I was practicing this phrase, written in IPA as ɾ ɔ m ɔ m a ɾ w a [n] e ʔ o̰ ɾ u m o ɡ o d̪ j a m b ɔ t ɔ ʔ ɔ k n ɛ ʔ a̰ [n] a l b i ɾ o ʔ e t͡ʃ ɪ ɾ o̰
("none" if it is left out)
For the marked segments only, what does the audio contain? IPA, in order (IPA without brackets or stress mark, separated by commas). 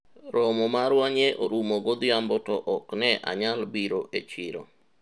ɲ, ɲ